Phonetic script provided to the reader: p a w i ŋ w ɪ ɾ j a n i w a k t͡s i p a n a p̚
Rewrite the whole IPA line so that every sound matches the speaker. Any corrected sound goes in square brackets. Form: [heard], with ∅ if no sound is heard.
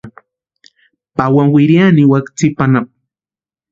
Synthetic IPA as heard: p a w [a] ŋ w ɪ ɾ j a n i w a k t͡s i p a n a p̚